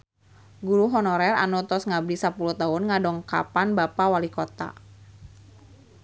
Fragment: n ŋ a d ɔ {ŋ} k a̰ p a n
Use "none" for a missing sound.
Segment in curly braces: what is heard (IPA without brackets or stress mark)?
ŋ